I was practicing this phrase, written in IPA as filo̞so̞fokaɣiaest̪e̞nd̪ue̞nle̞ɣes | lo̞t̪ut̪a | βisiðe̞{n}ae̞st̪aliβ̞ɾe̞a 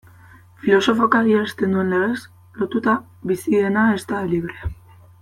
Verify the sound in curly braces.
correct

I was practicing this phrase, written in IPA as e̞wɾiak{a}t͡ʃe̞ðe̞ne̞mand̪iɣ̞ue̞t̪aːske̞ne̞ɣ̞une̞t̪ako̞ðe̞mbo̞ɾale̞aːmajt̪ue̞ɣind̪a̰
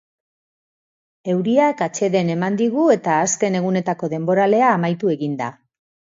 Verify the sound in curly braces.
correct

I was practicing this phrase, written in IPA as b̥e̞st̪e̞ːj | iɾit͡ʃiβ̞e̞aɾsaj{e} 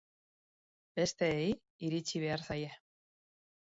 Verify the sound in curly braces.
correct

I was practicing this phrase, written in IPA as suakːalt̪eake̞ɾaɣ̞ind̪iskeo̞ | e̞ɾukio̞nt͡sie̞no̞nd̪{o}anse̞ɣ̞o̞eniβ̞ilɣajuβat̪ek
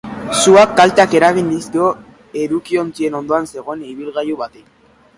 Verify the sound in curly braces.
correct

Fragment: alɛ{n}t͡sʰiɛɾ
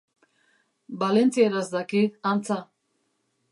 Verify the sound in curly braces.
correct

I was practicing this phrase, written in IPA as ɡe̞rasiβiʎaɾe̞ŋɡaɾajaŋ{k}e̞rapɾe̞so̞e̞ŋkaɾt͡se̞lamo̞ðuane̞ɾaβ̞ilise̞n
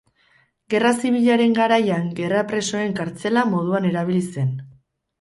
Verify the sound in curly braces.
incorrect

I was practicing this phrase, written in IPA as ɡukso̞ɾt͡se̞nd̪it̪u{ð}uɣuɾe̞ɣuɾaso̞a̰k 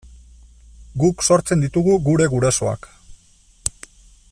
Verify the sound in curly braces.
incorrect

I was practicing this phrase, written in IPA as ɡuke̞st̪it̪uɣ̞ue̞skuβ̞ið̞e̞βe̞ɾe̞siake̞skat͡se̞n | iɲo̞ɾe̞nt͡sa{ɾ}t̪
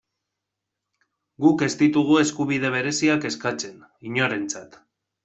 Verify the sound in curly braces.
incorrect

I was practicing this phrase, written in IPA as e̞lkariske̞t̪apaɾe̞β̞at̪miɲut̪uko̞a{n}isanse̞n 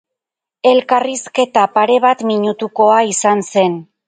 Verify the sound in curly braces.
incorrect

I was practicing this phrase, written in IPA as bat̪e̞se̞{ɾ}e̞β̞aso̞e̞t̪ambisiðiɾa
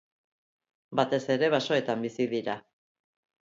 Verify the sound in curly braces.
correct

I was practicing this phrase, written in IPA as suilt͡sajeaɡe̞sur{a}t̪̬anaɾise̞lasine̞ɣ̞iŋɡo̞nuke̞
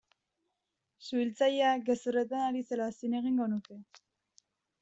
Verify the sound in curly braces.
incorrect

